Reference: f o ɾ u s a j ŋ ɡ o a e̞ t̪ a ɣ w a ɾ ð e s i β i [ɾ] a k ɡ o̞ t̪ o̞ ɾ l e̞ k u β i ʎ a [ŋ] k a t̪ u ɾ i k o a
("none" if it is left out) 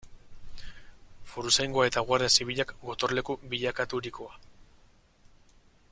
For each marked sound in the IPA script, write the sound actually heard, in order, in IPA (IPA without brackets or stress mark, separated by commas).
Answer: ʎ, none